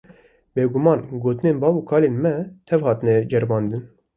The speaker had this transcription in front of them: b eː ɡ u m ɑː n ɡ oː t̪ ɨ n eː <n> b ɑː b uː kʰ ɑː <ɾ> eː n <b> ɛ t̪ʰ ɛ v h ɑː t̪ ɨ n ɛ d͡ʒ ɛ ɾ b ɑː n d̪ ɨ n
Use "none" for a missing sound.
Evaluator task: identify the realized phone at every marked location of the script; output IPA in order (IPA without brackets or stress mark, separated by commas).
n, l, m